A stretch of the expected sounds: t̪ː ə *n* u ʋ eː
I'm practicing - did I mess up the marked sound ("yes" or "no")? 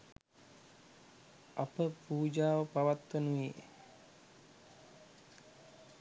no